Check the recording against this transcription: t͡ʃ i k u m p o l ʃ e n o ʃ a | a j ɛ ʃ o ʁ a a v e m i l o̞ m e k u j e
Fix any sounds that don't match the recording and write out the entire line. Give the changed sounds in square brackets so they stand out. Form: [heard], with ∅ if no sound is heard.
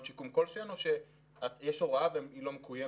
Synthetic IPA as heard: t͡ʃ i k u m [k] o l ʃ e n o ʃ [e] | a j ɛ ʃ o ʁ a a v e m i l o̞ m e k u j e